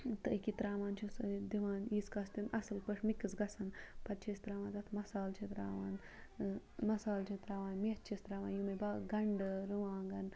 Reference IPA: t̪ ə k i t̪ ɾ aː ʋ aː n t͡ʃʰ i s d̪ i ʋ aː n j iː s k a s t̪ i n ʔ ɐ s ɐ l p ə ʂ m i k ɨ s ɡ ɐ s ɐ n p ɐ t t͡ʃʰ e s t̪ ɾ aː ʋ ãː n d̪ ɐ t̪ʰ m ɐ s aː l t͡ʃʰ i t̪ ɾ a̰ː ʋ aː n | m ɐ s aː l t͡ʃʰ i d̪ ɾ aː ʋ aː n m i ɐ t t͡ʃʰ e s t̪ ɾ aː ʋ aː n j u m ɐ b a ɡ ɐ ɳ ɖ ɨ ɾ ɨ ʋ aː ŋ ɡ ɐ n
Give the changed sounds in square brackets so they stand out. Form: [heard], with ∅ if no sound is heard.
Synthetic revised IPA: t̪ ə k i t̪ ɾ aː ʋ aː n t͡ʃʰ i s d̪ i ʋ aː n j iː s k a s t̪ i n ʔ ɐ s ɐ l p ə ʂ m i k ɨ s ɡ ɐ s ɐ n p ɐ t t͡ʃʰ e s t̪ ɾ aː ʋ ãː n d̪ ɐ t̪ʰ m ɐ s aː l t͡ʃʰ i t̪ ɾ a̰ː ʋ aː n | m ɐ s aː l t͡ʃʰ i [t̪] ɾ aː ʋ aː n m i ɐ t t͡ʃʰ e s t̪ ɾ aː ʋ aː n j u m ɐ b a ɡ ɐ ɳ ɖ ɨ ɾ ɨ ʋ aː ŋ ɡ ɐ n